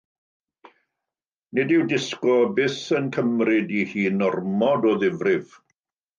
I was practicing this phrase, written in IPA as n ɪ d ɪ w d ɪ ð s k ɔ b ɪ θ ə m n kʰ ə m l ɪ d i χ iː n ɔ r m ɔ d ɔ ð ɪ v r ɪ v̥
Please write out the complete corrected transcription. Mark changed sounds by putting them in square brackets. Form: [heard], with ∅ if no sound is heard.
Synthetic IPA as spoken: n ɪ d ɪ w d ɪ [∅] s k ɔ b ɪ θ ə [∅] n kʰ ə m [r] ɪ d i [h] iː n ɔ r m ɔ d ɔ ð ɪ v r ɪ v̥